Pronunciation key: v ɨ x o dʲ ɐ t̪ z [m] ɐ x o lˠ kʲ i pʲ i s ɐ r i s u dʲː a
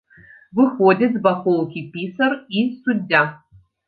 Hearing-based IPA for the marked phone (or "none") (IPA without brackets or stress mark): b